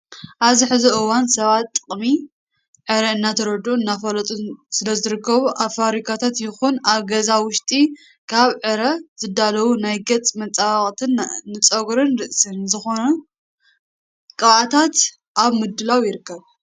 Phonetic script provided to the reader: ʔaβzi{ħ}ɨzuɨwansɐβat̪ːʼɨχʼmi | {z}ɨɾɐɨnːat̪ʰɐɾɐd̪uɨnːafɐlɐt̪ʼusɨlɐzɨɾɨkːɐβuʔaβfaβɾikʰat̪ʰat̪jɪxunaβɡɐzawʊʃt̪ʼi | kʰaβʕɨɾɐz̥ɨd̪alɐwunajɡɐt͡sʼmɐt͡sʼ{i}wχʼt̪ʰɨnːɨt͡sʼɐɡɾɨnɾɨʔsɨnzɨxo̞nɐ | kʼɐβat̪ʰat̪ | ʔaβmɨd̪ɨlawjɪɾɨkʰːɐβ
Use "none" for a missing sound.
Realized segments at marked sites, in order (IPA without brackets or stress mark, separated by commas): ħ, ʕ, a